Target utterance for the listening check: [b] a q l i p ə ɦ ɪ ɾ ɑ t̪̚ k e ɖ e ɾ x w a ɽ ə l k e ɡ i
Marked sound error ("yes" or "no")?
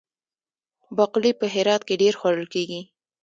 no